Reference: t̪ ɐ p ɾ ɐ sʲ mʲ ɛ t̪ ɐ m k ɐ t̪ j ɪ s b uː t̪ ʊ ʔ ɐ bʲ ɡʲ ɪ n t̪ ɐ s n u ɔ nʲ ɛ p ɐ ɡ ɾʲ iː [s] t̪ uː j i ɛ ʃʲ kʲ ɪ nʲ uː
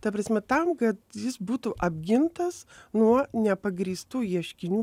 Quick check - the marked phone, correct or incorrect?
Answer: correct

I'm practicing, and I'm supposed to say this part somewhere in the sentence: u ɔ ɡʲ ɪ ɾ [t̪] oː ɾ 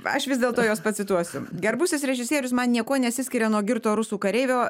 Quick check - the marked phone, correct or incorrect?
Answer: correct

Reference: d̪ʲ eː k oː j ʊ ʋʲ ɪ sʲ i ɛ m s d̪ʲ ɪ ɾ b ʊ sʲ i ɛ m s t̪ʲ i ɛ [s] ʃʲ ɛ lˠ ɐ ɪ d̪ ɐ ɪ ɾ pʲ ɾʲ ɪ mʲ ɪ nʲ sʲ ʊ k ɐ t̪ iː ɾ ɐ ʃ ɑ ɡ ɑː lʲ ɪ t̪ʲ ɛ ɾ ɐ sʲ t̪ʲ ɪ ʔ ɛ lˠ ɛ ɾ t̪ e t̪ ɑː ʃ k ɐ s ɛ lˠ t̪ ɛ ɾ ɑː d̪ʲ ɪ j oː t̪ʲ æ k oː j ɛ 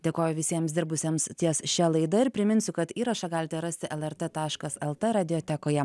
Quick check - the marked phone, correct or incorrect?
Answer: correct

